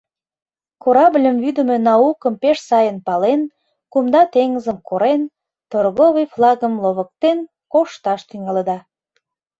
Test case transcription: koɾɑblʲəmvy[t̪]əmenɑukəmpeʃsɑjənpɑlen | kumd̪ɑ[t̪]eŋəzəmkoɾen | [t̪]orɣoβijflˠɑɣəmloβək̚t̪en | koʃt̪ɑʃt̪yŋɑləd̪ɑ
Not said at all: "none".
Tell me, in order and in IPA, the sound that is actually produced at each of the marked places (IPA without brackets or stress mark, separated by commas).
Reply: d̪, t̪, t̪